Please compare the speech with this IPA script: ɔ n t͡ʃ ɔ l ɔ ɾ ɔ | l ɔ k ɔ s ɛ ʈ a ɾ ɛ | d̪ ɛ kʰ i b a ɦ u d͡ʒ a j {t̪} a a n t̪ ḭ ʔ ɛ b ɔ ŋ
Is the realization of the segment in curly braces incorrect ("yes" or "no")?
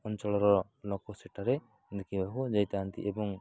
no